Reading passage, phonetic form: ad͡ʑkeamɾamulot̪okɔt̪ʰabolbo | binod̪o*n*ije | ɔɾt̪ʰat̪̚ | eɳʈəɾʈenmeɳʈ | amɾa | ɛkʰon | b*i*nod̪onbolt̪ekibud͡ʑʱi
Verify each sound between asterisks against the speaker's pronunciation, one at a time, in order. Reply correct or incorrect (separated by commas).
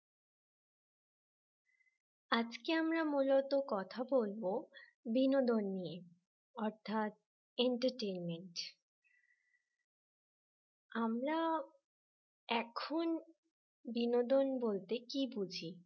incorrect, correct